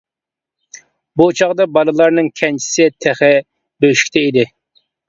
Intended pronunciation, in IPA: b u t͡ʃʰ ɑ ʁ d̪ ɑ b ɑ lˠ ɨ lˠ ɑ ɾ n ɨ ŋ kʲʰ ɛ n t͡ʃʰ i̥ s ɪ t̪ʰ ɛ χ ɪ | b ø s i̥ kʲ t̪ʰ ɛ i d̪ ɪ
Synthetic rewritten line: b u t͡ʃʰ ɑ ʁ d̪ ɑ b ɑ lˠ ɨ lˠ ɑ ɾ n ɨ ŋ kʲʰ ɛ n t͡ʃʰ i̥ s ɪ t̪ʰ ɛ χ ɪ | b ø ʃ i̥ kʲ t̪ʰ ɛ i d̪ ɪ